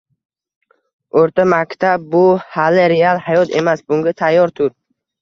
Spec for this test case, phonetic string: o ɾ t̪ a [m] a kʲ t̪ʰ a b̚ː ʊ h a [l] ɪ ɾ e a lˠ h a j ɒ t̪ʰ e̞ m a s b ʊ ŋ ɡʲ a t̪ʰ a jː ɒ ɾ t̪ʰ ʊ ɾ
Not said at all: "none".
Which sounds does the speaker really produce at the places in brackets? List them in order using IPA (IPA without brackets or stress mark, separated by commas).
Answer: m, l